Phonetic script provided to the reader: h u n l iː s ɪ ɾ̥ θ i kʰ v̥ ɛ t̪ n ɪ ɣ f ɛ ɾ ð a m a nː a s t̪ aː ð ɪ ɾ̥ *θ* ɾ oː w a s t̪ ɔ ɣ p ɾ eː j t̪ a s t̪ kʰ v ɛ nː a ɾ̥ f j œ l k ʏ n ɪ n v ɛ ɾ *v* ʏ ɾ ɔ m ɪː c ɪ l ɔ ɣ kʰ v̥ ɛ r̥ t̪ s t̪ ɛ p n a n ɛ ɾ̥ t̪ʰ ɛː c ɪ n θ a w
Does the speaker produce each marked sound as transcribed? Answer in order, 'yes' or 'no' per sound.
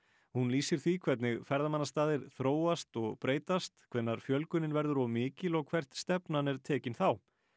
yes, no

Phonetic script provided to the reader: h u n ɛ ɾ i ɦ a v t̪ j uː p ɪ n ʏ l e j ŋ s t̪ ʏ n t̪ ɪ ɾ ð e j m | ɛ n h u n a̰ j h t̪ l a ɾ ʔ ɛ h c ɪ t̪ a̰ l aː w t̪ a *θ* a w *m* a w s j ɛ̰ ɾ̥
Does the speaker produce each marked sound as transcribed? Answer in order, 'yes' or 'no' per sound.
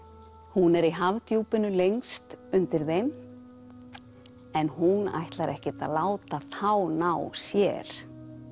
yes, no

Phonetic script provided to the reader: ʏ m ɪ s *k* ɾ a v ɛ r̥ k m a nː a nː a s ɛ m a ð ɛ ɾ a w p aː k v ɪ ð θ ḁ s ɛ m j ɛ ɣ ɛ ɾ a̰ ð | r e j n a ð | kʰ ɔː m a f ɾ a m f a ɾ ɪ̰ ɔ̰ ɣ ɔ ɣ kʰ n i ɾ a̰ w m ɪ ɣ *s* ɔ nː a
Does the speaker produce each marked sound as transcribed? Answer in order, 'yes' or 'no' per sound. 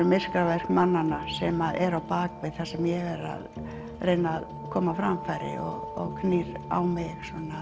yes, yes

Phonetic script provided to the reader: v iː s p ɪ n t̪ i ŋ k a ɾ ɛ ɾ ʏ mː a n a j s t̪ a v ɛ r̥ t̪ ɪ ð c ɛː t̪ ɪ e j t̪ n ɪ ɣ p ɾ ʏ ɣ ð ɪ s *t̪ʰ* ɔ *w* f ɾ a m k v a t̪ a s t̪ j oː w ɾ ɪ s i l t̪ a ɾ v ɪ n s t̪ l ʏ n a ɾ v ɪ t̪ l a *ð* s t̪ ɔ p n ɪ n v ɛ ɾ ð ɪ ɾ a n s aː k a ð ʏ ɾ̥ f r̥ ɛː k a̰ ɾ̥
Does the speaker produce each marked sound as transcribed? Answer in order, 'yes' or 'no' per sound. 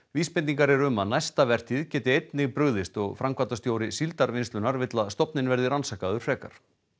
no, no, yes

